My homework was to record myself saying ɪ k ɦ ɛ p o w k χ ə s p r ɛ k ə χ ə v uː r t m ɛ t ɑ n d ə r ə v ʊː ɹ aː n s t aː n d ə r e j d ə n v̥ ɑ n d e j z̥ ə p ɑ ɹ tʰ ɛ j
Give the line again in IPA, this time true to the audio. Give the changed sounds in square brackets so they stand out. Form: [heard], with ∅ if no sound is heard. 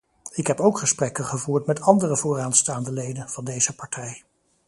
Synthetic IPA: ɪ k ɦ ɛ p o w k χ ə s p r ɛ k ə χ ə v uː [ɹ] t m ɛ t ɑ n d ə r ə v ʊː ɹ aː n s t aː n d ə [l] e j d ə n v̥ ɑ n d e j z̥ ə p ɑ ɹ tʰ ɛ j